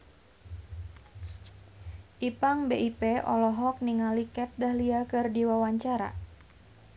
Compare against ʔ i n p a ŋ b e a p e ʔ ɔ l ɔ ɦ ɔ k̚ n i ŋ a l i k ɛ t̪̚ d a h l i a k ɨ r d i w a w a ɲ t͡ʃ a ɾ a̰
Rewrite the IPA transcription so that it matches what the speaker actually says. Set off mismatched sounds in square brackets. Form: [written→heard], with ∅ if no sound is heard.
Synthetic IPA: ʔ i [n→∅] p a ŋ b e [a→i] p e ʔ ɔ l ɔ ɦ ɔ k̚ n i ŋ a l i k ɛ t̪̚ d a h l i a k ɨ r d i w a w a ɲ t͡ʃ a ɾ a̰